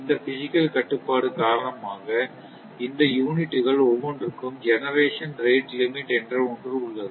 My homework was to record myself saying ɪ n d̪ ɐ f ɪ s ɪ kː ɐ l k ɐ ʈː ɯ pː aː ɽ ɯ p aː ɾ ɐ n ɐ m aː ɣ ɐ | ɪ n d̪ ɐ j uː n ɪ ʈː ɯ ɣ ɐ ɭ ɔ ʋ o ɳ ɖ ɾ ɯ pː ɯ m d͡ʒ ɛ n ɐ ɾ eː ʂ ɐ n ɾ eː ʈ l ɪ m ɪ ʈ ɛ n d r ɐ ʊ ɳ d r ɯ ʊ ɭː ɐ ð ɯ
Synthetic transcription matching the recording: ɪ n d̪ ɐ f ɪ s ɪ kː ɐ l k ɐ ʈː ɯ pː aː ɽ ɯ k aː ɾ ɐ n ɐ m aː ɣ ɐ | ɪ n d̪ ɐ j uː n ɪ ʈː ɯ ɣ ɐ ɭ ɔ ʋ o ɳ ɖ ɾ ɯ kː ɯ m d͡ʒ ɛ n ɐ ɾ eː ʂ ɐ n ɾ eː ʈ l ɪ m ɪ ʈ ɛ n d r ɐ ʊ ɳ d r ɯ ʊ ɭː ɐ ð ɯ